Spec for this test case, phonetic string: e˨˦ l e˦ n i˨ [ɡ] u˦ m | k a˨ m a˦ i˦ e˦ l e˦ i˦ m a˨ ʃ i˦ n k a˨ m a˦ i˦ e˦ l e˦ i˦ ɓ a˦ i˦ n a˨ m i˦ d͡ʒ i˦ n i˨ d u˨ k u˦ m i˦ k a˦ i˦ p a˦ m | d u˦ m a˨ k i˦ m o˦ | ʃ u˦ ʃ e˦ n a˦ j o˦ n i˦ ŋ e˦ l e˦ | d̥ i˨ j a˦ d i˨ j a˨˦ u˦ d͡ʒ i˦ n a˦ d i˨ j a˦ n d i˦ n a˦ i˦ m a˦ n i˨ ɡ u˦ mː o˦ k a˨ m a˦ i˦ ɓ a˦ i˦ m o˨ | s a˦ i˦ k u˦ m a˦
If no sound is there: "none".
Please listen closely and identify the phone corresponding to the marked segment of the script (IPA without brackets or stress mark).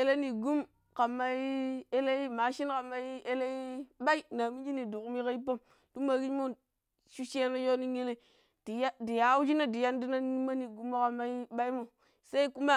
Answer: ɡ